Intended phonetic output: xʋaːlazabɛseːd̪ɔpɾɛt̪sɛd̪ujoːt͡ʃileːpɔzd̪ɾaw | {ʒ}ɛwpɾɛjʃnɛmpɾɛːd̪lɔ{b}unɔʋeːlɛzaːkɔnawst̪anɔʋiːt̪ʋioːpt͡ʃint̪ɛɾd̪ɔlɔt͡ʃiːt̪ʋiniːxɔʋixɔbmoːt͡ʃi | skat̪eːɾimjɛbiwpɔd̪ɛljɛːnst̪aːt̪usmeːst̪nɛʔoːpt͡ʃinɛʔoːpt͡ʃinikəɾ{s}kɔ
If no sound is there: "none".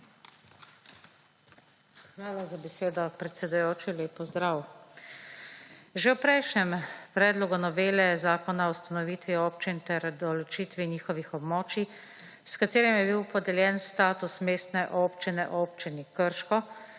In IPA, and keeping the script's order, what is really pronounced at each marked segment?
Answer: ʒ, ɡ, ʃ

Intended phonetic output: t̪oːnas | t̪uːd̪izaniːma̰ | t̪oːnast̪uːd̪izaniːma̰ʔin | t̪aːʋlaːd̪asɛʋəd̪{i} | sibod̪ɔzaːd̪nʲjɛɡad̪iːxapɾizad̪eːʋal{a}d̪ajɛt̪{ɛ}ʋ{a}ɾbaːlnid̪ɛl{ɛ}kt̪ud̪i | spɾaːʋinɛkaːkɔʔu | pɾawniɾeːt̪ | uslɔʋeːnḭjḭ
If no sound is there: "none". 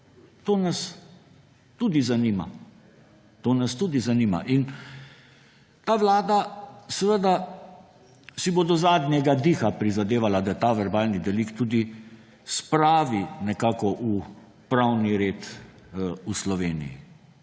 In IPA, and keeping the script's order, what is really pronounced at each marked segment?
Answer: a, a, a, ɛ, i

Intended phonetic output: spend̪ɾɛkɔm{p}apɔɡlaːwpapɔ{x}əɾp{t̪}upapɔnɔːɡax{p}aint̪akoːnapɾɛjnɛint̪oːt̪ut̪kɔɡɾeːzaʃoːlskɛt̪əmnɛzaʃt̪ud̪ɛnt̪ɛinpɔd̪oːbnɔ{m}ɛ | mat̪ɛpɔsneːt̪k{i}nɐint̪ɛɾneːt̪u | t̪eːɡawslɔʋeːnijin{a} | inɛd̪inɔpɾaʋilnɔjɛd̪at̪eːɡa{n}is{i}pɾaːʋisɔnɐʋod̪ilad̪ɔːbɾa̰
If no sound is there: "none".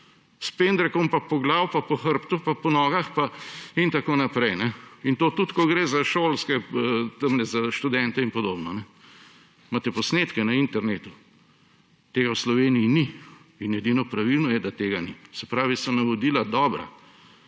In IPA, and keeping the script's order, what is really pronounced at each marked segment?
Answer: p, x, t̪, p, n, ɛ, i, n, ɛ

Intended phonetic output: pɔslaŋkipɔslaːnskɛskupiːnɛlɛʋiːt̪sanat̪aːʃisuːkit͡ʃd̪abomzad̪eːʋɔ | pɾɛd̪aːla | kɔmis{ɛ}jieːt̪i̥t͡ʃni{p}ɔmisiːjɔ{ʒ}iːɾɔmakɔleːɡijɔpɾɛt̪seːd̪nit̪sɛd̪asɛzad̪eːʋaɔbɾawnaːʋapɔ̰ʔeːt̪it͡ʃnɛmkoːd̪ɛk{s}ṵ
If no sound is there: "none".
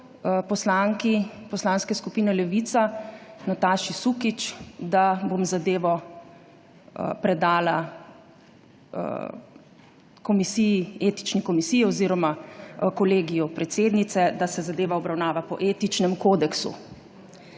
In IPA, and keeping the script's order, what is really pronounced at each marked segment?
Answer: i, k, z, s

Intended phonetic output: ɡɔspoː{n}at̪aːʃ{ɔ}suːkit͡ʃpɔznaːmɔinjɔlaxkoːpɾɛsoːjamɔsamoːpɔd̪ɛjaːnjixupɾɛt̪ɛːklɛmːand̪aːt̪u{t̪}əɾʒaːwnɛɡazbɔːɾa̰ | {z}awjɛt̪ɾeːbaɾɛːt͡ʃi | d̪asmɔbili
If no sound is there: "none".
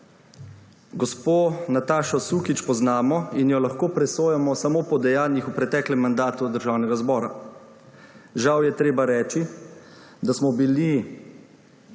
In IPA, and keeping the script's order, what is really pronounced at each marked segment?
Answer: n, ɔ, d̪, ʒ

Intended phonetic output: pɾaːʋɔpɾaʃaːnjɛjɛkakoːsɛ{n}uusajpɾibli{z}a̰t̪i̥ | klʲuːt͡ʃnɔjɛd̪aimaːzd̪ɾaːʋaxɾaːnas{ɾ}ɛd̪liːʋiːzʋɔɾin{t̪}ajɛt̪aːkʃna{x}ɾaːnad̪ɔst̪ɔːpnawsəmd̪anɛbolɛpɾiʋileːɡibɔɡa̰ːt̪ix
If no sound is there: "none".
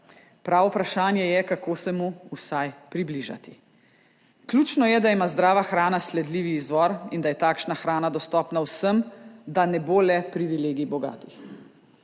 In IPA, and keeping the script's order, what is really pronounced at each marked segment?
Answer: m, ʒ, l, d̪, x

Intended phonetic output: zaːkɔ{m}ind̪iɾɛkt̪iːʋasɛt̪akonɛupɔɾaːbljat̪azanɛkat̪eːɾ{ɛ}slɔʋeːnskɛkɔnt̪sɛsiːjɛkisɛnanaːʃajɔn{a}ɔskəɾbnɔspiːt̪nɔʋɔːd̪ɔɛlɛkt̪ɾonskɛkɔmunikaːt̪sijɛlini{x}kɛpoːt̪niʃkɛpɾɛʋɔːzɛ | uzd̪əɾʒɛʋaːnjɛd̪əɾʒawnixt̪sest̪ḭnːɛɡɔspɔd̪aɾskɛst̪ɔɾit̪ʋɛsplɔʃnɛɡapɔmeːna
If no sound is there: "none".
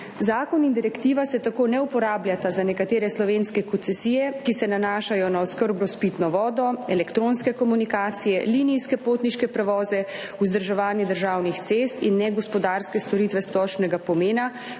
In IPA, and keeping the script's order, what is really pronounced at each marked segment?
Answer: n, ɛ, a, s

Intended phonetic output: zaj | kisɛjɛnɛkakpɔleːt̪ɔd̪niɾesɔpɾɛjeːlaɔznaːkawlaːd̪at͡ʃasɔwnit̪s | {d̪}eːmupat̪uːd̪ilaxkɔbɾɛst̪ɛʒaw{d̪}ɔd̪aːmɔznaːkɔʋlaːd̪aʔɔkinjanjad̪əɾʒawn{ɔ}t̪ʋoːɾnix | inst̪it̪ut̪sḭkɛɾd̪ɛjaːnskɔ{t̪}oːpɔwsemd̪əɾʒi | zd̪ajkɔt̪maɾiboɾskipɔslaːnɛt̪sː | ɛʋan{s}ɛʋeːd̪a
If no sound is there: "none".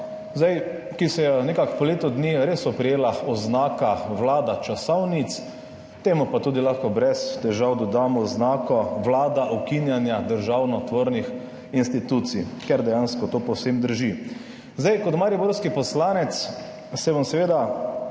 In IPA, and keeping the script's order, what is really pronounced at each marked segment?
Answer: t̪, d̪, ɔ, t̪, s

